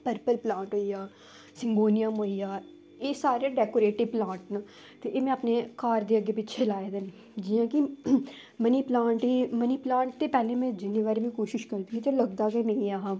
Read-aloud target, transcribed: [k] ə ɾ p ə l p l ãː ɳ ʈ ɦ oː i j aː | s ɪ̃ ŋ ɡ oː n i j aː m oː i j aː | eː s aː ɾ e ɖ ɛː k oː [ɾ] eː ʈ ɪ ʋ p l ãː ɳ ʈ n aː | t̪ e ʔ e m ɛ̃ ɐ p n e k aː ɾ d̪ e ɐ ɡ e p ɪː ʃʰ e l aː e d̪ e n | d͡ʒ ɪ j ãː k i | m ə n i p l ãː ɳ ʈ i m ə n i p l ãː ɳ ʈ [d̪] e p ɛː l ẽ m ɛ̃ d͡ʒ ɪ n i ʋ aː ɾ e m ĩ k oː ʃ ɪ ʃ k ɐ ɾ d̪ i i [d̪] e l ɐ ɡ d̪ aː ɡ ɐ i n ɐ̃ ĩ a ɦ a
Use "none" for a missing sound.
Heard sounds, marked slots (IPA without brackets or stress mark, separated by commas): p, ɾ, t̪, t̪